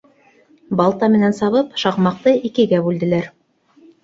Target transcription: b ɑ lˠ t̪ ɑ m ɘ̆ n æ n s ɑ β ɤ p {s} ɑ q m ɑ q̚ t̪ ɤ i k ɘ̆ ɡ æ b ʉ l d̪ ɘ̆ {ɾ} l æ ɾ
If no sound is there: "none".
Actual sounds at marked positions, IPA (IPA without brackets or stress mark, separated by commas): ʃ, none